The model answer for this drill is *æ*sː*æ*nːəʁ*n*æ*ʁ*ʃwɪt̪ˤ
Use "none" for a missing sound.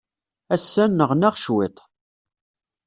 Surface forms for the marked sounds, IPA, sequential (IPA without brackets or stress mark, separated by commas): æ, æ, n, ʁ